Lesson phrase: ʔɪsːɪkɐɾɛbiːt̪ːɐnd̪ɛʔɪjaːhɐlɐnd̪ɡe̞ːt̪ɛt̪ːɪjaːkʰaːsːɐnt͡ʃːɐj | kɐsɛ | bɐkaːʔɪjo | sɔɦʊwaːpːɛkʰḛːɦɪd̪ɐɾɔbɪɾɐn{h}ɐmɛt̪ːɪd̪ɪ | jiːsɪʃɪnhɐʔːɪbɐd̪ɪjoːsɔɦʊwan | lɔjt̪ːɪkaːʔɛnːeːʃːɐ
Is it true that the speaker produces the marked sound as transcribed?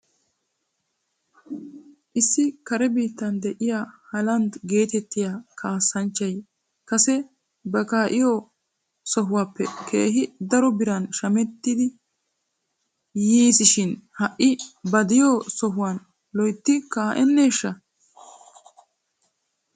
no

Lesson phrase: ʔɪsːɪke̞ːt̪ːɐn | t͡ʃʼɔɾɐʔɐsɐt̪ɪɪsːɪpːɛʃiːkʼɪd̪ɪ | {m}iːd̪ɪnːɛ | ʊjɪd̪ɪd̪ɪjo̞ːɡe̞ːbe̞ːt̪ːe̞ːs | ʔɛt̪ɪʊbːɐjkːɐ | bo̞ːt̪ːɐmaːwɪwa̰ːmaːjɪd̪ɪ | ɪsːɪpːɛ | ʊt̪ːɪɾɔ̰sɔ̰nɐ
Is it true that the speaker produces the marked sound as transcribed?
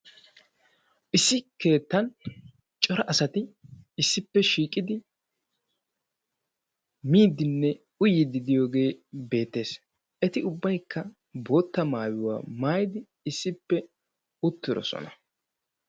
yes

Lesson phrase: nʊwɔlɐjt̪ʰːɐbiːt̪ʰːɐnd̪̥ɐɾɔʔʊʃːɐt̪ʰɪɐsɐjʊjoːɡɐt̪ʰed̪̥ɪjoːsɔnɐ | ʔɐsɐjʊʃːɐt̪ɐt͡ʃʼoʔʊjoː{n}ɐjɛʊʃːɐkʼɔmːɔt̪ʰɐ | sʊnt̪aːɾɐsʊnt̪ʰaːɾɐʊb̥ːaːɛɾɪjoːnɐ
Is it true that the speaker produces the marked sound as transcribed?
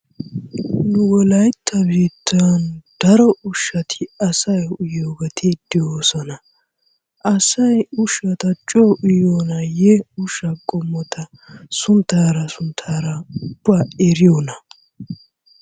yes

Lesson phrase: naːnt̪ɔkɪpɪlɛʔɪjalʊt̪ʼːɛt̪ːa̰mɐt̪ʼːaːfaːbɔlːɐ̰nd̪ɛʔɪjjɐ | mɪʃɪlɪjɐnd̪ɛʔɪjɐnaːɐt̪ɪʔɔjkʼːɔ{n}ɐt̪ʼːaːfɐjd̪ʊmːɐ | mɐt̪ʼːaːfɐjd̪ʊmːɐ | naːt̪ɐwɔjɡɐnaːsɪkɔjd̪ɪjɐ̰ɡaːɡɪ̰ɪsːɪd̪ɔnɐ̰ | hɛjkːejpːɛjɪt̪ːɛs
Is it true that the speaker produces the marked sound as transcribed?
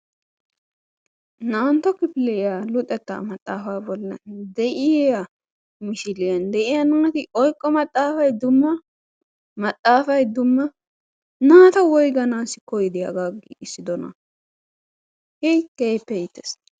no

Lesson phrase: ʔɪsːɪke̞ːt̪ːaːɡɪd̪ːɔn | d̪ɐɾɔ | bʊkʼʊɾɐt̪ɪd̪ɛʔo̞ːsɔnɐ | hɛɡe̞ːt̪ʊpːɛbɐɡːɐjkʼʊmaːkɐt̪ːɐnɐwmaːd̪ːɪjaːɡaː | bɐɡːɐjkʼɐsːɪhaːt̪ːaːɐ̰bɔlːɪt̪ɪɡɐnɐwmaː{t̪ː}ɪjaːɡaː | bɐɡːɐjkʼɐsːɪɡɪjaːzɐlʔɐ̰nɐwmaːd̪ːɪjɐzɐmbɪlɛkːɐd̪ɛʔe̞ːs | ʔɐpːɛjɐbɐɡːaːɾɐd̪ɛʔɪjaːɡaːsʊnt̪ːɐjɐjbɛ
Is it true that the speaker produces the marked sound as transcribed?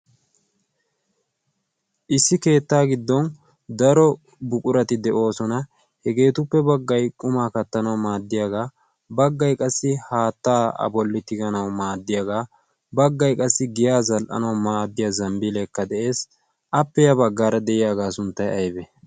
no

